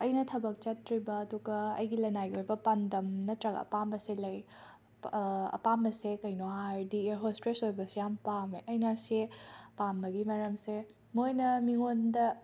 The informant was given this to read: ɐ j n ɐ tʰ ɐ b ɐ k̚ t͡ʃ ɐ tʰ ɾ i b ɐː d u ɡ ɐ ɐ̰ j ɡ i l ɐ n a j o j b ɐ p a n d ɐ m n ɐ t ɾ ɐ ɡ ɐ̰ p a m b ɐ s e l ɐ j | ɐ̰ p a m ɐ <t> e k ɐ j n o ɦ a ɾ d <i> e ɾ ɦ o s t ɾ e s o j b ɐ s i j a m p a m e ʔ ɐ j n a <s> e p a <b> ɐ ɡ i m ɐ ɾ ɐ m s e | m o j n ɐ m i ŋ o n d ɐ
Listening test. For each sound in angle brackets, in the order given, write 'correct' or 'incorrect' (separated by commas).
incorrect, correct, correct, incorrect